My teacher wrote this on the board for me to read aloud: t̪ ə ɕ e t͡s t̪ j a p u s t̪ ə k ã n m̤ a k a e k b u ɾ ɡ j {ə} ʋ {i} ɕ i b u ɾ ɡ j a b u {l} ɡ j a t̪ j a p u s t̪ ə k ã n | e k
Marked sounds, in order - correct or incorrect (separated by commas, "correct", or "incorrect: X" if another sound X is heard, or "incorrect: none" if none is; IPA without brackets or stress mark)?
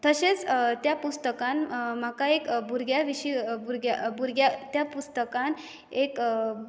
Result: incorrect: a, correct, incorrect: ɾ